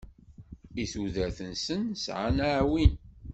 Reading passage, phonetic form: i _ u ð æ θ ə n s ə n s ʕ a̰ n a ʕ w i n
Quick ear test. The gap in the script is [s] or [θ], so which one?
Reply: θ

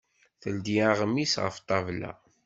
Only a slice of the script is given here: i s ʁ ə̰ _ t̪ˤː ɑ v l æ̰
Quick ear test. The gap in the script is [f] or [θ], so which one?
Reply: f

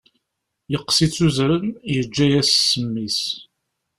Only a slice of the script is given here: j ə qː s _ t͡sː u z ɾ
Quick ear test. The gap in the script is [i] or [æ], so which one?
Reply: i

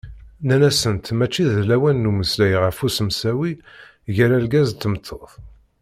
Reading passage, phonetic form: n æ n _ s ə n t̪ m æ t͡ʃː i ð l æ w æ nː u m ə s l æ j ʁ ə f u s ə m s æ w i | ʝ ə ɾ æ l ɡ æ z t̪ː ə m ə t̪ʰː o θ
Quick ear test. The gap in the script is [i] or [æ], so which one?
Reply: æ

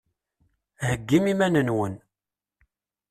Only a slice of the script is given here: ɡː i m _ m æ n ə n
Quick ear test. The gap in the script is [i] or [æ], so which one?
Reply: i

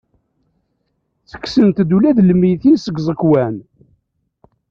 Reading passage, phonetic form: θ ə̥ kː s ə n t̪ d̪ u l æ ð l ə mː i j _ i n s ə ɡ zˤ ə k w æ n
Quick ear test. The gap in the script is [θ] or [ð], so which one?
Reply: θ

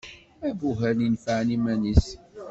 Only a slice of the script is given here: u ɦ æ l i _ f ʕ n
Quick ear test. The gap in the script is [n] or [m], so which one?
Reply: n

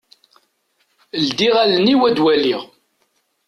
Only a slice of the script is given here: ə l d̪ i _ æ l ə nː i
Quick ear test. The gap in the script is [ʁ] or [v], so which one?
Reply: ʁ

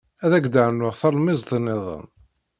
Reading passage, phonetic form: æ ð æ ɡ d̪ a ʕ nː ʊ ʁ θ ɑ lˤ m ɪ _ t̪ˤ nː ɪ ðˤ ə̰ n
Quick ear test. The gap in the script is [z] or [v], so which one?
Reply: z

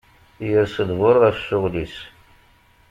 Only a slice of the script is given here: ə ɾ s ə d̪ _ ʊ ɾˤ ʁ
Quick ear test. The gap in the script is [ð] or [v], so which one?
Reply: v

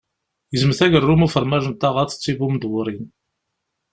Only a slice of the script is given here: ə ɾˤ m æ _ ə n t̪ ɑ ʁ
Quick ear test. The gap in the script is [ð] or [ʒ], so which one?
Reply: ʒ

